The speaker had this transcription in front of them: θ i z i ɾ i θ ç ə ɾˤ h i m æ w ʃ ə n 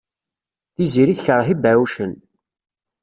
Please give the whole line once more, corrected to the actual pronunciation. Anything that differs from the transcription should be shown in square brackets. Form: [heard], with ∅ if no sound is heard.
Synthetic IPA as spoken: θ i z i ɾ i θ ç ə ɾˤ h i [b] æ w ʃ ə n